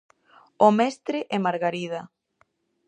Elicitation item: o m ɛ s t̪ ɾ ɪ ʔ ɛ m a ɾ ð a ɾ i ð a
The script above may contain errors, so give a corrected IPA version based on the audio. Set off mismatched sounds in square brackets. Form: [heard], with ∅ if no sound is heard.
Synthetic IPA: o m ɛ s t̪ ɾ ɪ ʔ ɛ m a ɾ [ɣ] a ɾ i ð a